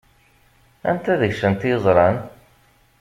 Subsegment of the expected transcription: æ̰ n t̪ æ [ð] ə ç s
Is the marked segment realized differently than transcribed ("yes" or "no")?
no